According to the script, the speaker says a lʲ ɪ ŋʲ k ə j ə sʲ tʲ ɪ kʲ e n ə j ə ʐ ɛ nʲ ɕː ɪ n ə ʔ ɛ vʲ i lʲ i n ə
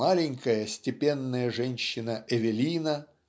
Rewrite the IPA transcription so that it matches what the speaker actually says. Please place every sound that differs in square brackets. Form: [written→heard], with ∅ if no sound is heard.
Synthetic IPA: a lʲ ɪ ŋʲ k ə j ə sʲ tʲ ɪ [kʲ→pʲ] e [n→nː] ə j ə ʐ ɛ nʲ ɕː ɪ n ə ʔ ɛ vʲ [i→ɪ] lʲ i n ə